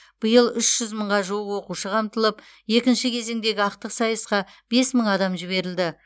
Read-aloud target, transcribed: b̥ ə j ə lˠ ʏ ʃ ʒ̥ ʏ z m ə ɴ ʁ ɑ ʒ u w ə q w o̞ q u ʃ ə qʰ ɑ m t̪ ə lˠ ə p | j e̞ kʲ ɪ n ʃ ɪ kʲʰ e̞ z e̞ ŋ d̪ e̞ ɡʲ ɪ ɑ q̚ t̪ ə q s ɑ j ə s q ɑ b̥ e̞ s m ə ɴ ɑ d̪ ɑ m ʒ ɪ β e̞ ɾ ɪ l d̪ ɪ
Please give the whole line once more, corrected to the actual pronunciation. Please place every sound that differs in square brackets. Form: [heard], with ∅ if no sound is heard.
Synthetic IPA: b̥ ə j ə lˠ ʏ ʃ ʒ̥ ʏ z m ə ɴ ʁ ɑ ʒ u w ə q w o̞ q u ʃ ə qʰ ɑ m t̪ ə lˠ ə p | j e̞ kʲ ɪ n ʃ ɪ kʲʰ e̞ z e̞ ŋ d̪ e̞ ɡʲ ɪ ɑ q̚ t̪ ə q s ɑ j ə s q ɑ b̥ e̞ s m ə ɴ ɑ d̪ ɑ m ʒ ɪ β e̞ ɾ ɪ l d̪ ɪ

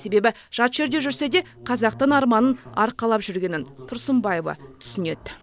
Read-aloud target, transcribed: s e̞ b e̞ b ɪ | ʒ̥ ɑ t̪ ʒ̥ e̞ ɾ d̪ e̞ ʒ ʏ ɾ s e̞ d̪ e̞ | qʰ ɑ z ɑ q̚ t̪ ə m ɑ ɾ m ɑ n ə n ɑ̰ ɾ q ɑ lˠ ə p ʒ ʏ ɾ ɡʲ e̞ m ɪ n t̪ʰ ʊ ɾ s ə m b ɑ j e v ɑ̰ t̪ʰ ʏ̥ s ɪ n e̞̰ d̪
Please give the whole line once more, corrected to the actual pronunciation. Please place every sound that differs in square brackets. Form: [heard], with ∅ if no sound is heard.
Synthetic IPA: s e̞ b e̞ b ɪ | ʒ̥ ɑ t̪ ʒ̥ e̞ ɾ d̪ e̞ ʒ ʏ ɾ s e̞ d̪ e̞ | qʰ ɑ z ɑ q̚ t̪ ə [n] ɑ ɾ m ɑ n ə n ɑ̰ ɾ q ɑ lˠ [ɑ] p ʒ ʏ ɾ ɡʲ e̞ [n] ɪ n t̪ʰ ʊ ɾ s ə m b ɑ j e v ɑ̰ t̪ʰ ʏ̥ s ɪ n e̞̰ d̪

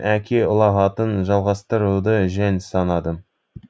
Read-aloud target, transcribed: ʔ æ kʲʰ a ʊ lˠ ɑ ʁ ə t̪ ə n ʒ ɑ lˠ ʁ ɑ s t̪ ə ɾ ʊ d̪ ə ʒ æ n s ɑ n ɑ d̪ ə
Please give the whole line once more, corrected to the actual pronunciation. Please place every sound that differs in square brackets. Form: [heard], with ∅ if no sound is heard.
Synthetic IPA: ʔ æ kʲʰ [e] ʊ lˠ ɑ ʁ [ɑ] t̪ ə n ʒ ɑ lˠ ʁ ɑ s t̪ ə ɾ [u] d̪ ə ʒ æ n s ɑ n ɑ d̪ ə

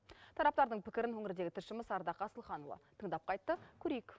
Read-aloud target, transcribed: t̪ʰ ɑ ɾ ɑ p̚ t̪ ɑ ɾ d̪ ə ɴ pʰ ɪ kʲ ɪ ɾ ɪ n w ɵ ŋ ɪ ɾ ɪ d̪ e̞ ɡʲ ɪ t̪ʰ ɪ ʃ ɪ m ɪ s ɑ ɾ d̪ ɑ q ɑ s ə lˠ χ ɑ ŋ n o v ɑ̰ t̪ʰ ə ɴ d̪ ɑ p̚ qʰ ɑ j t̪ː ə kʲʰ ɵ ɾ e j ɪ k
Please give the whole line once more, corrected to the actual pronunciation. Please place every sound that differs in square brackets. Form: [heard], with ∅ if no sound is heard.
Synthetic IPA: t̪ʰ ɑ ɾ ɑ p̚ t̪ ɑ ɾ d̪ ə ɴ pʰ ɪ kʲ ɪ ɾ ɪ n w ɵ ŋ ɪ ɾ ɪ d̪ e̞ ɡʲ ɪ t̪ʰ ɪ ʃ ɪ m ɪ s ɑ ɾ d̪ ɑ q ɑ s ə lˠ χ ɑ [∅] n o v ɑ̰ t̪ʰ ə ɴ d̪ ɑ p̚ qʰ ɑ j t̪ː ə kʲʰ ɵ ɾ e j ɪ k

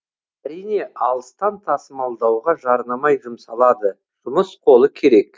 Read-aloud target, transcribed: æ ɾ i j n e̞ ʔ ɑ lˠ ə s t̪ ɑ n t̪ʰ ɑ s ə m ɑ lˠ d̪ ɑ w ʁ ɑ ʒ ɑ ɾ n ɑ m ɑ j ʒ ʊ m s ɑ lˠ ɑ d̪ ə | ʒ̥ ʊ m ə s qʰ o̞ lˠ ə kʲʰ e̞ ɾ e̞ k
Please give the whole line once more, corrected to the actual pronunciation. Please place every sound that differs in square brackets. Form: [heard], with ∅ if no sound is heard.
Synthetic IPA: æ ɾ i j n e̞ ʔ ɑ lˠ ə s t̪ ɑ n t̪ʰ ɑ s ə m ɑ lˠ d̪ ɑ w ʁ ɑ ʒ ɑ ɾ n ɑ m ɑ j ʒ ʊ m s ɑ lˠ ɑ d̪ ə | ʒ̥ ʊ m ə s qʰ o̞ lˠ ə kʲʰ e̞ ɾ e̞ k

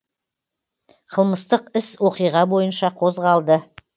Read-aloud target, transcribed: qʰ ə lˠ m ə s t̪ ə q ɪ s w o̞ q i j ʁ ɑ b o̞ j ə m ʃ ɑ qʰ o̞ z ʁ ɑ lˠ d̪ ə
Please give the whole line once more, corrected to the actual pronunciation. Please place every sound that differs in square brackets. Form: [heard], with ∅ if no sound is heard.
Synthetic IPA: qʰ ə lˠ m ə s t̪ ə q ɪ s w o̞ q i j ʁ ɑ b o̞ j ə [n] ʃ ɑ qʰ o̞ z ʁ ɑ lˠ d̪ ə

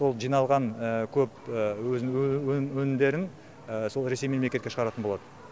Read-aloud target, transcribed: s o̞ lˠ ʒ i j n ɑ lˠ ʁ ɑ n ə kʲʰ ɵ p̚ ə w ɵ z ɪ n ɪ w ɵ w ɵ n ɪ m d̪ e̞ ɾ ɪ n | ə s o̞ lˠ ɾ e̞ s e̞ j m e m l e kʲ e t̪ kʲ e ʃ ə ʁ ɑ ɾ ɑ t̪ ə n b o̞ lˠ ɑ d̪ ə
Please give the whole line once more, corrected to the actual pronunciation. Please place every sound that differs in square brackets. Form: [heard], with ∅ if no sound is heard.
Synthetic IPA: s o̞ lˠ ʒ i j n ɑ lˠ ʁ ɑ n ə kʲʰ ɵ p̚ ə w ɵ z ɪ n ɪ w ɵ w ɵ n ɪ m d̪ e̞ ɾ ɪ n | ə s o̞ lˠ ɾ e̞ s e̞ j m e m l e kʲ e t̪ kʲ e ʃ ə ʁ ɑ ɾ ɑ t̪ ə n b o̞ lˠ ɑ d̪ ə

